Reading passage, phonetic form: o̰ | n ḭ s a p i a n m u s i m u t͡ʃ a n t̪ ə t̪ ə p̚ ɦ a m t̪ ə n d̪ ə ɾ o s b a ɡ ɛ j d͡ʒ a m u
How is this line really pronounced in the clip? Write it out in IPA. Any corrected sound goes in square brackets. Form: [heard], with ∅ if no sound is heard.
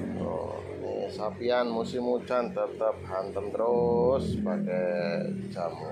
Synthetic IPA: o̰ | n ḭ s a p i a n m u s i m u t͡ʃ a n t̪ ə t̪ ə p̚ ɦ a [n] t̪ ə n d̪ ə ɾ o s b a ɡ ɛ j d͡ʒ a m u

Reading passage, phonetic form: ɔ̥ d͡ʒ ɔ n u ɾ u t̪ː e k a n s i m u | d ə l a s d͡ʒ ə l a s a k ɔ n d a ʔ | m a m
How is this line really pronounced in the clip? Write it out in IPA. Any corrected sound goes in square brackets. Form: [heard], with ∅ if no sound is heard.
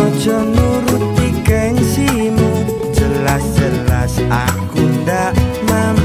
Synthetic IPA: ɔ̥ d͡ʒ ɔ n u ɾ u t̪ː [i] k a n s i m u | [d͡ʒ] ə l a s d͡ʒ ə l a s a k [u] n d a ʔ | m a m

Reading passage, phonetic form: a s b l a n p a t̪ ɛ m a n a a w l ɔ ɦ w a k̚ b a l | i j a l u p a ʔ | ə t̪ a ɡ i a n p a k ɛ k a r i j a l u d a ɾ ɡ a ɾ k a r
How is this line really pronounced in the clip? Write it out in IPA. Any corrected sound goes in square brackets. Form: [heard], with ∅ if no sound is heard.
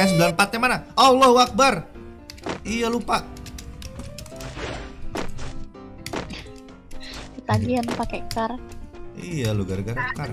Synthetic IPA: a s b l a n p a t̪ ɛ m a n a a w l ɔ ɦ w a k̚ b a [r] | i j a l u p a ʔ | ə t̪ a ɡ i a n p a k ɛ k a r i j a l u [ɡ] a ɾ ɡ a ɾ k a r

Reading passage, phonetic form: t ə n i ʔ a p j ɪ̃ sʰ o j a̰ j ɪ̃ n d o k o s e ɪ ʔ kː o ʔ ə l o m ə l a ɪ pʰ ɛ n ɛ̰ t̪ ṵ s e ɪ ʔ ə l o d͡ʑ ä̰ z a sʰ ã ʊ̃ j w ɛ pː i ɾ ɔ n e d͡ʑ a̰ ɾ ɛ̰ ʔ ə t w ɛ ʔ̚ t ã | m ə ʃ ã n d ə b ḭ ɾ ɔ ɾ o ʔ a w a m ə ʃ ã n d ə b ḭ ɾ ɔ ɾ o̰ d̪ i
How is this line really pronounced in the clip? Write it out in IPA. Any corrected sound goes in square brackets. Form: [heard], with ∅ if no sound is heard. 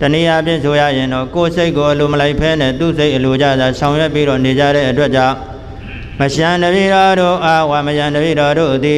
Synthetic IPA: t ə n i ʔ a p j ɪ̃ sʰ o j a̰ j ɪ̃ n d [ɔ] k o s e ɪ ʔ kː o ʔ ə l o m ə l a ɪ pʰ ɛ n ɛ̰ t̪ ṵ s e ɪ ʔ ə l o d͡ʑ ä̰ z a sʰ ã ʊ̃ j w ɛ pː i ɾ ɔ n e d͡ʑ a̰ ɾ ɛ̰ ʔ ə t w ɛ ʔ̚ [t͡ɕ] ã | m ə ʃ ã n d ə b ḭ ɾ ɔ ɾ o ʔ a w a m ə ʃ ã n d ə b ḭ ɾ ɔ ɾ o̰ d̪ i

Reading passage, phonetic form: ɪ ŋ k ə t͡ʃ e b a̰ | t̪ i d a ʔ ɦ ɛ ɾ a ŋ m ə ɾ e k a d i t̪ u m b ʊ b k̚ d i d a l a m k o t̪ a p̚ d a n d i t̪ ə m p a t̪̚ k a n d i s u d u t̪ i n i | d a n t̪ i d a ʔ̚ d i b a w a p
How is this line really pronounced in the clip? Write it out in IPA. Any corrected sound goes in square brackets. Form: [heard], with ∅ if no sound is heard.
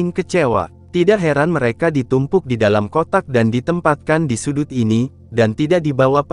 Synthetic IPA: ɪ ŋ k ə t͡ʃ e [w] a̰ | t̪ i d a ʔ ɦ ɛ ɾ a [n] m ə ɾ e k a d i t̪ u m [p] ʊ [∅] k̚ d i d a l a m k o t̪ a [k̚] d a n d i t̪ ə m p a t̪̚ k a n d i s u d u t̪ i n i | d a n t̪ i d a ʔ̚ d i b a w a p

